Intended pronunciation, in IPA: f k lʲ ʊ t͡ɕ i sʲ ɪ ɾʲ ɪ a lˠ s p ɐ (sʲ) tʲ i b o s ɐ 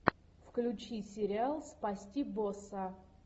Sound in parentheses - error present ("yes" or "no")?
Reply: no